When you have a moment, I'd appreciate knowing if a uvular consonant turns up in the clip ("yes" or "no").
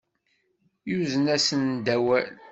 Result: no